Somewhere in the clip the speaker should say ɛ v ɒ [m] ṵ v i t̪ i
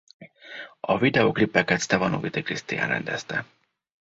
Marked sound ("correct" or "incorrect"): incorrect